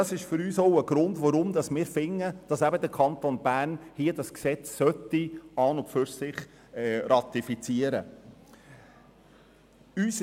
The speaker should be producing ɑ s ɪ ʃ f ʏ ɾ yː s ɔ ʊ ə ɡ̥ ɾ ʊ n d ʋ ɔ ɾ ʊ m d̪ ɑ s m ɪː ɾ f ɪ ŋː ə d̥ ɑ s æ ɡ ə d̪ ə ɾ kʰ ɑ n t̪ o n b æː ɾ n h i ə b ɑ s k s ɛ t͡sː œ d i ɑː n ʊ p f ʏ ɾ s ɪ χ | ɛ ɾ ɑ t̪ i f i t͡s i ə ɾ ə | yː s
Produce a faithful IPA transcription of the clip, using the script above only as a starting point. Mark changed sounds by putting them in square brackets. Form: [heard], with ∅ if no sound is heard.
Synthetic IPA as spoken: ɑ s ɪ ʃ f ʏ ɾ yː s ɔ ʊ ə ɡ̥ ɾ ʊ n d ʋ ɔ ɾ ʊ m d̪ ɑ s m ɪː ɾ f ɪ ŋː ə d̥ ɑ s æ [b] ə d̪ ə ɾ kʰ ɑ n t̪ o n b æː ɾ n h i ə [d] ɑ s k s ɛ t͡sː œ [t] i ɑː n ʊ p f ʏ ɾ s ɪ χ | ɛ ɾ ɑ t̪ i f i t͡s i ə ɾ ə | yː s